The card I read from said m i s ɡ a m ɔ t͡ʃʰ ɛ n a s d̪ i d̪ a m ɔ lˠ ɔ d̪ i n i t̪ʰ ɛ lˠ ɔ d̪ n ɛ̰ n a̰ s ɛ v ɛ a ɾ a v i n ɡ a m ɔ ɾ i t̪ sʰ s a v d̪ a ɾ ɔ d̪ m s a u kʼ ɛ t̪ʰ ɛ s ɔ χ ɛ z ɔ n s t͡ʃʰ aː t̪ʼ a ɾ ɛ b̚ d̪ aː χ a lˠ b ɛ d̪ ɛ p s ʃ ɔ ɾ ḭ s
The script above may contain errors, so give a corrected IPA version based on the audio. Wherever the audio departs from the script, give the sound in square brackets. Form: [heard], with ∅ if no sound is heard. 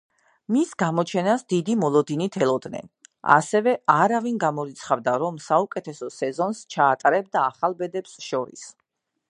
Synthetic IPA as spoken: m i s ɡ a m ɔ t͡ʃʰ ɛ n a s d̪ i d̪ [i] m ɔ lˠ ɔ d̪ i n i t̪ʰ ɛ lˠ ɔ d̪ n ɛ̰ n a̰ s ɛ v ɛ a ɾ a v i n ɡ a m ɔ ɾ i t̪ sʰ [χ] a v d̪ a ɾ ɔ [∅] m s a u kʼ ɛ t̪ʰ ɛ s ɔ [s] ɛ z ɔ n s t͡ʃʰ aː t̪ʼ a ɾ ɛ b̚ d̪ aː χ a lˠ b ɛ d̪ ɛ p s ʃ ɔ ɾ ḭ s

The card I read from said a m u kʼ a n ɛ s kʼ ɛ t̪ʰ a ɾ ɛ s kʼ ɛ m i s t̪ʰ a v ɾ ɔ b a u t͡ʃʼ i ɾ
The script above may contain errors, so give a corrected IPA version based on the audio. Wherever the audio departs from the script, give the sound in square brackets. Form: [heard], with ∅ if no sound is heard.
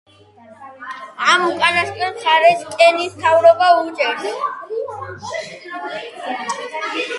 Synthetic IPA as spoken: a m u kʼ a n [a] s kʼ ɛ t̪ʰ a ɾ ɛ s kʼ ɛ [n] i s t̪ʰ a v ɾ ɔ b a u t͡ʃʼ [ɛ] ɾ

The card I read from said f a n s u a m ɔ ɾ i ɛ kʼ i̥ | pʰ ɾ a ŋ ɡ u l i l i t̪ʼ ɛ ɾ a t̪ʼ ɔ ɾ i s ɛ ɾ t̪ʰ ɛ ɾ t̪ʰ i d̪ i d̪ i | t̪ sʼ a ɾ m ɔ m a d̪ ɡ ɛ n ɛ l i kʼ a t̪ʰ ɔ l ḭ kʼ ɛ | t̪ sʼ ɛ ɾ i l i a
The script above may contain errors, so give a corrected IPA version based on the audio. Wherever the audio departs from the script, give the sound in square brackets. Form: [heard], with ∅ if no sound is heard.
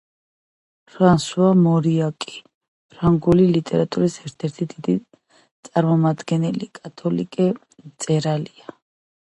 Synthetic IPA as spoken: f a n s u a m ɔ ɾ i [a] kʼ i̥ | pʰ ɾ a ŋ ɡ u l i l i t̪ʼ ɛ ɾ a t̪ʼ [u] ɾ i s ɛ ɾ t̪ʰ ɛ ɾ t̪ʰ i d̪ i d̪ i | t̪ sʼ a ɾ m ɔ m a d̪ ɡ ɛ n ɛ l i kʼ a t̪ʰ ɔ l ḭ kʼ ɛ | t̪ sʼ ɛ ɾ [a] l i a

